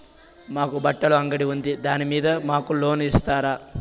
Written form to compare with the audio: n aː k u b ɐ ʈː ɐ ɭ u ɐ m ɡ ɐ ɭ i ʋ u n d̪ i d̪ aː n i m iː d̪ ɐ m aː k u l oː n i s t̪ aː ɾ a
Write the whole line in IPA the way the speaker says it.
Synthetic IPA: m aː k u b ɐ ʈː ɐ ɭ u ɐ ŋ ɡ ɐ ɽ i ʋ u n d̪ i d̪ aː n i m iː d̪ ɐ m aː k u l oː n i s t̪ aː ɾ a